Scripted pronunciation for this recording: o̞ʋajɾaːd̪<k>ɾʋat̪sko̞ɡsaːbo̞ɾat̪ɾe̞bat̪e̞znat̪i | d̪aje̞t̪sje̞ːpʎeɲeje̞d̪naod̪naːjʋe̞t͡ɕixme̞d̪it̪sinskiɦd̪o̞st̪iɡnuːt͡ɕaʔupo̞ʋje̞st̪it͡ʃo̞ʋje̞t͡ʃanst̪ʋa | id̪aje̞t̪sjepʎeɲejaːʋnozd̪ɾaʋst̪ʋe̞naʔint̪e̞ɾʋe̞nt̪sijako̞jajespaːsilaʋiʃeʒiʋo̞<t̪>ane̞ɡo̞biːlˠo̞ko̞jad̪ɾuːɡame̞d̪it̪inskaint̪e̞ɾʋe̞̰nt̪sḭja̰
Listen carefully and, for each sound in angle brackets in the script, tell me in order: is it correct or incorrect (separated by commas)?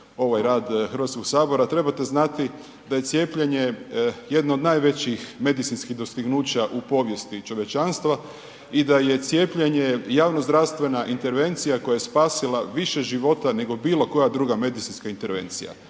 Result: incorrect, correct